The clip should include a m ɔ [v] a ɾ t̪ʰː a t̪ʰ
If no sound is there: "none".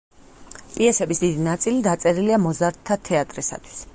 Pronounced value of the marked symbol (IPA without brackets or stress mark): z